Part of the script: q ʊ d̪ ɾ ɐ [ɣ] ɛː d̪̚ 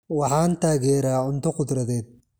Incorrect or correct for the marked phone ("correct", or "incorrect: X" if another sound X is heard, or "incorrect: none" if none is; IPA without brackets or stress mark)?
incorrect: ð